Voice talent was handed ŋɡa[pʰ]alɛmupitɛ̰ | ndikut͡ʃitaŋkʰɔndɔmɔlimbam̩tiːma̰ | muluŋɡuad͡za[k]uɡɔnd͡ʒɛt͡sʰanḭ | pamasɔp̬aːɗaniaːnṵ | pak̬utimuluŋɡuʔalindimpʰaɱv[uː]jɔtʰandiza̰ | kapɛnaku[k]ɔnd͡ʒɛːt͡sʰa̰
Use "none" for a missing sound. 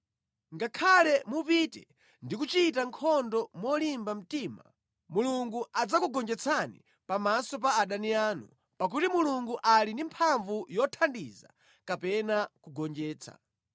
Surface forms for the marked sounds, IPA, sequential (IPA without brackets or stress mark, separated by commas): kʰ, k, u, ɡ